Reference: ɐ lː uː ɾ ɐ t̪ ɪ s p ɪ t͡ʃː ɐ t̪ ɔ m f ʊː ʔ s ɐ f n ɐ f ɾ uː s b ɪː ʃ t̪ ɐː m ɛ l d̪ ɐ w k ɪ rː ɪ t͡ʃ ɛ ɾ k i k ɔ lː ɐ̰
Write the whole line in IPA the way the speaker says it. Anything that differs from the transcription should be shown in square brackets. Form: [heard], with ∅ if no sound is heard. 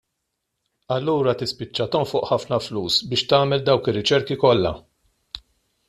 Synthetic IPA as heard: ɐ lː uː ɾ ɐ t̪ ɪ s p ɪ t͡ʃː ɐ t̪ ɔ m f ʊː ʔ [ħ] ɐ f n ɐ f [l] uː s b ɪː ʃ t̪ ɐː m ɛ l d̪ ɐ w k ɪ rː ɪ t͡ʃ ɛ ɾ k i k ɔ lː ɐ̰

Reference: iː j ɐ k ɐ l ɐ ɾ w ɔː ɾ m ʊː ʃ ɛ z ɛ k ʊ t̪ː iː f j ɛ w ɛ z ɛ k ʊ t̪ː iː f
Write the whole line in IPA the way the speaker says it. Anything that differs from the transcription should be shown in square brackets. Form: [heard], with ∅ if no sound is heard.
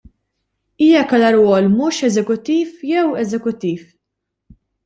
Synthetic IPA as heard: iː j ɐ k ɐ l ɐ ɾ w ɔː [l] m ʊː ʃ ɛ z ɛ k ʊ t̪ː iː f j ɛ w ɛ z ɛ k ʊ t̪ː iː f

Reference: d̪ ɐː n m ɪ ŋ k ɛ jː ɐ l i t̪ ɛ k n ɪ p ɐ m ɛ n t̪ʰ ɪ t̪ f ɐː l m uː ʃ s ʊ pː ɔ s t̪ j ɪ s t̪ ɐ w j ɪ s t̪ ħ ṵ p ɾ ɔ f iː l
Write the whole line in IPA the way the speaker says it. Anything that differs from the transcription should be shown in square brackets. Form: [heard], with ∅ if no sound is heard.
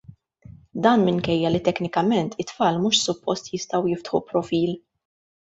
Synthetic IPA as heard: d̪ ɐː n m ɪ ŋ k ɛ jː ɐ l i t̪ ɛ k n ɪ [k] ɐ m ɛ n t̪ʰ ɪ t̪ f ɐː l m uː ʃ s ʊ pː ɔ s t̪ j ɪ s t̪ ɐ w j ɪ [f] t̪ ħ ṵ p ɾ ɔ f iː l

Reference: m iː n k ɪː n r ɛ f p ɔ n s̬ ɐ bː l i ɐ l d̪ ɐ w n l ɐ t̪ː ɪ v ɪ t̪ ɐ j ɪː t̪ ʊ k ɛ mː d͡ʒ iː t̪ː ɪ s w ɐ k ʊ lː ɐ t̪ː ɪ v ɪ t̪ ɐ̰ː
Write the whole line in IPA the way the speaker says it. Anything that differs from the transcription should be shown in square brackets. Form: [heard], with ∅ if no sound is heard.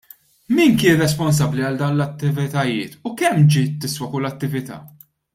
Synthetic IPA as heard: m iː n k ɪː n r ɛ [s] p ɔ n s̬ ɐ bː l i ɐ l d̪ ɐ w n l ɐ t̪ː ɪ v ɪ t̪ ɐ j ɪː t̪ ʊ k ɛ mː d͡ʒ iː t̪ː ɪ s w ɐ k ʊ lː ɐ t̪ː ɪ v ɪ t̪ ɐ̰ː

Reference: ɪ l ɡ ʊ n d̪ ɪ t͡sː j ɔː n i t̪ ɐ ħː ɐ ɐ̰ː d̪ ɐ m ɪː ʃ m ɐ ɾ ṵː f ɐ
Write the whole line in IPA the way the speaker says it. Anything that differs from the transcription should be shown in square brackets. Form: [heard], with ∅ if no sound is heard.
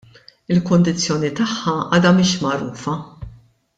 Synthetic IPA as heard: ɪ l [k] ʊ n d̪ ɪ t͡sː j ɔː n i t̪ ɐ ħː ɐ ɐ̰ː d̪ ɐ m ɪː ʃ m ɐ ɾ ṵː f ɐ

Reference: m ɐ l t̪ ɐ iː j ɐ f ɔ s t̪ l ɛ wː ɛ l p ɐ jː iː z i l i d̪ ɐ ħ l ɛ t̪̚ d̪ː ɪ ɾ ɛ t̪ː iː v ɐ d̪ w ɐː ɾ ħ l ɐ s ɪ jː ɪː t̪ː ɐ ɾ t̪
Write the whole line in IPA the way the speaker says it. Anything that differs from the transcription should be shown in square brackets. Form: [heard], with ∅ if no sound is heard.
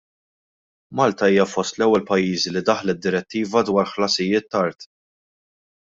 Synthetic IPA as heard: m ɐ l t̪ ɐ iː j ɐ f ɔ s t̪ l ɛ wː ɛ l p ɐ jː iː z i l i d̪ ɐ ħ l ɛ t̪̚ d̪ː ɪ ɾ ɛ t̪ː iː v ɐ d̪ w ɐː ɾ ħ l ɐ s ɪ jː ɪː t̪ː ɐ ɾ t̪

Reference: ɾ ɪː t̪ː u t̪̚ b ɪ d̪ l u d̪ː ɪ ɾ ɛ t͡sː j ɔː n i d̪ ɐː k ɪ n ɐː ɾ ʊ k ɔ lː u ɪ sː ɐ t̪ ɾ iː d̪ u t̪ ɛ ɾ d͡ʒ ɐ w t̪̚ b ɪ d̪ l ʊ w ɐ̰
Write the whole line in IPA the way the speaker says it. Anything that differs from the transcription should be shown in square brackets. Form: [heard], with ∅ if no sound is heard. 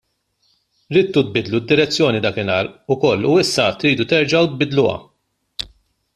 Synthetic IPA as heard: ɾ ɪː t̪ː u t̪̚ b ɪ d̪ l u d̪ː ɪ ɾ ɛ t͡sː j ɔː n i d̪ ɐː k ɪ n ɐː ɾ ʊ k ɔ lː u ɪ sː ɐ t̪ ɾ iː d̪ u t̪ ɛ ɾ d͡ʒ ɐ w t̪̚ b ɪ d̪ l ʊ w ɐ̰

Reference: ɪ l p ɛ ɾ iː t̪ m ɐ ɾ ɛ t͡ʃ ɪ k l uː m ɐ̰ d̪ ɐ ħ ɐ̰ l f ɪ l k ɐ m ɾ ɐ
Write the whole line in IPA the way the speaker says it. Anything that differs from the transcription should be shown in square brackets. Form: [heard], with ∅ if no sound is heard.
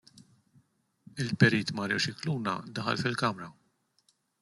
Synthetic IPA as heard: ɪ l p ɛ ɾ iː t̪ m ɐ ɾ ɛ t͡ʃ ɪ k l uː [n] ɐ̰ d̪ ɐ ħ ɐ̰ l f ɪ l k ɐ m ɾ ɐ

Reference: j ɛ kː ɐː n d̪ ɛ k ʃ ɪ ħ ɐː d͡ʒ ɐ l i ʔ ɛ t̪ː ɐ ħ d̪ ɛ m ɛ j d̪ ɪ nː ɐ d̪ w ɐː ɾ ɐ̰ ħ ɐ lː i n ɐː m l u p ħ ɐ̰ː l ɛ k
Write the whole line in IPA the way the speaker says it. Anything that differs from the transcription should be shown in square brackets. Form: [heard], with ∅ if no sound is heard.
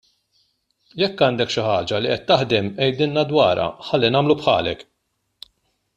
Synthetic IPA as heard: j ɛ kː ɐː n d̪ ɛ k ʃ ɪ ħ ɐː d͡ʒ ɐ l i ʔ ɛ t̪ː ɐ ħ d̪ ɛ m ɛ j d̪ ɪ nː ɐ d̪ w ɐː ɾ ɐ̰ ħ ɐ lː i n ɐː m l u p ħ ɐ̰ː l ɛ k

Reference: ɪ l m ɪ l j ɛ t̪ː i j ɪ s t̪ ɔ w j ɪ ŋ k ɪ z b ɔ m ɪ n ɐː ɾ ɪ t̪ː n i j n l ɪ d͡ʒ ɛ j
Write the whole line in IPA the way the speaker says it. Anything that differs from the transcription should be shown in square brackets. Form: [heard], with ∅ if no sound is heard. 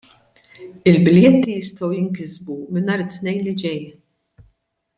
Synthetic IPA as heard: ɪ l [b] ɪ l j ɛ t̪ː i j ɪ s t̪ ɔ w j ɪ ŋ k ɪ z b [u] m ɪ n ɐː ɾ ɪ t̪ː n [ɛ] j n l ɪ d͡ʒ ɛ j

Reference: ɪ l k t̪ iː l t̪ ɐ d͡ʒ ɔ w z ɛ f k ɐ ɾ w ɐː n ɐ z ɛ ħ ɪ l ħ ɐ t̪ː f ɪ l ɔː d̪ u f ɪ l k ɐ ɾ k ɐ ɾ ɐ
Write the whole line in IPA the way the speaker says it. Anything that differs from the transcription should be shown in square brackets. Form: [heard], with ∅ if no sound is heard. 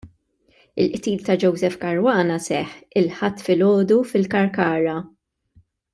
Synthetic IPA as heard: ɪ l [ʔ] t̪ iː l t̪ ɐ d͡ʒ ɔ w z ɛ f k ɐ ɾ w ɐː n ɐ [s] ɛ ħ ɪ l ħ ɐ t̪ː f ɪ l ɔː d̪ u f ɪ l k ɐ ɾ k [ɐː] ɾ ɐ

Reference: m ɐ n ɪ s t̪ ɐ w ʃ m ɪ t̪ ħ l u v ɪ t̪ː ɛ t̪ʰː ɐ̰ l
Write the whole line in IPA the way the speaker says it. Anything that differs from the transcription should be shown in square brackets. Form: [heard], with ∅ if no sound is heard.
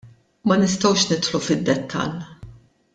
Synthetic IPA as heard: m ɐ n ɪ s t̪ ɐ w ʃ [n] ɪ t̪ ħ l u [f] ɪ [d̪ː] ɛ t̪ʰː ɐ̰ l

